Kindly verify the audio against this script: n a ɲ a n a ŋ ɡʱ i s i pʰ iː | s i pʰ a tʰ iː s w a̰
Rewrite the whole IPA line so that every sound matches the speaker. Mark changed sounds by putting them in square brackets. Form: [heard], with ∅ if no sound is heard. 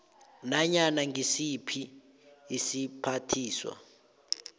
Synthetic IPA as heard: n a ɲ a n a ŋ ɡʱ i s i pʰ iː | s i pʰ a tʰ iː s w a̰